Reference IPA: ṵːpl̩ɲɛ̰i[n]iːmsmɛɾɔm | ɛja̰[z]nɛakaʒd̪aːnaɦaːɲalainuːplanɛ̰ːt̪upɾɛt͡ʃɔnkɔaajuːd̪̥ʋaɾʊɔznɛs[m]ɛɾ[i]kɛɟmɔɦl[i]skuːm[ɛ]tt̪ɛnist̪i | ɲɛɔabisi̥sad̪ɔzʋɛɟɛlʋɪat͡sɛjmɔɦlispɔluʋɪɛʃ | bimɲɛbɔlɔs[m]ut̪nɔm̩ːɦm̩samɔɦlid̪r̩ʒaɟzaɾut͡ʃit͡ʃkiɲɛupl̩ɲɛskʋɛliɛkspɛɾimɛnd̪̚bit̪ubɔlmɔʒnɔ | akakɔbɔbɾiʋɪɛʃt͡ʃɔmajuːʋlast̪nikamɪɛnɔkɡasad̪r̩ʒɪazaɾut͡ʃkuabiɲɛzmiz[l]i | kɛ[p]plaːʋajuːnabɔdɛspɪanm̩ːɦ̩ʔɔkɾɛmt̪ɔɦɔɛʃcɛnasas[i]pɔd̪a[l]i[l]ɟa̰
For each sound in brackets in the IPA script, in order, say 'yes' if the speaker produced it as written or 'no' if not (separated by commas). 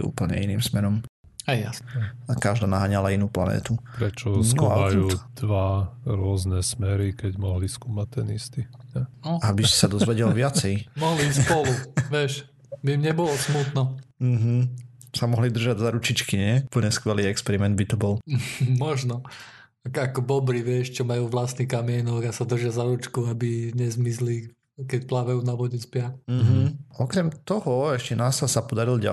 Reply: yes, no, yes, yes, yes, no, yes, yes, no, no, no, yes